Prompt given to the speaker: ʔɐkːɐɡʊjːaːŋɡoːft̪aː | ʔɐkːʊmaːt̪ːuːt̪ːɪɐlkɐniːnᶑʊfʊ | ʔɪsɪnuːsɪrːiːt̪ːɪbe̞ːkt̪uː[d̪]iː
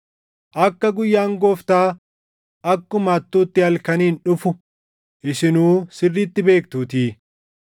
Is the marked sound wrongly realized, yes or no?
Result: yes